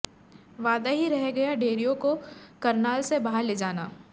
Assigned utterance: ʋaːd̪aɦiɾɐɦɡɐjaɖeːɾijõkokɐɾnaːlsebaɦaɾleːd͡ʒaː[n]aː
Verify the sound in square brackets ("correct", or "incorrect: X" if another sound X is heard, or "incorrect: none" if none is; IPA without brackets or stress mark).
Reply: correct